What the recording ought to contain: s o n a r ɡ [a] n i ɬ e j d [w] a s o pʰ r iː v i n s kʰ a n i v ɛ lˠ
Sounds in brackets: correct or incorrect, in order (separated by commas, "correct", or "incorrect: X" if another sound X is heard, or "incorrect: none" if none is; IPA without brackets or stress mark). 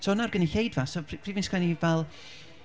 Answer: incorrect: ə, incorrect: v